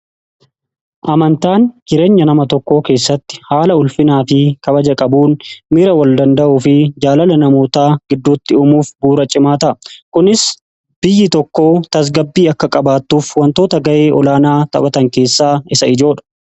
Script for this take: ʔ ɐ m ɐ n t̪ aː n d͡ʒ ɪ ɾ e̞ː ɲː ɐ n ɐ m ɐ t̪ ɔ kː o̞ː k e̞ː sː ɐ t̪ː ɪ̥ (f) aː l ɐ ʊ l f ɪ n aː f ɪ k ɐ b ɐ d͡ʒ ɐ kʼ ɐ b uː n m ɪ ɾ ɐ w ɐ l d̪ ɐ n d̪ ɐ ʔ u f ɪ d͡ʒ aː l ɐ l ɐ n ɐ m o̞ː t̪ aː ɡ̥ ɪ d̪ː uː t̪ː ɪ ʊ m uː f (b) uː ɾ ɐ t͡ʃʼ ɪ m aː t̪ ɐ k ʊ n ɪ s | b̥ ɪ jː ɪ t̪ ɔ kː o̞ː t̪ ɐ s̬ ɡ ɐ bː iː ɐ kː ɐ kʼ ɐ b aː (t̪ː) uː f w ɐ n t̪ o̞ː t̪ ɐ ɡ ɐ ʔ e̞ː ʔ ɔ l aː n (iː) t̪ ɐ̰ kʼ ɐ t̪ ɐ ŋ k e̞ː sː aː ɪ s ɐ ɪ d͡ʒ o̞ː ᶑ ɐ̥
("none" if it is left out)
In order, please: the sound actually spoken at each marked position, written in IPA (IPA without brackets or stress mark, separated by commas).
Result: h, b, t̪ː, aː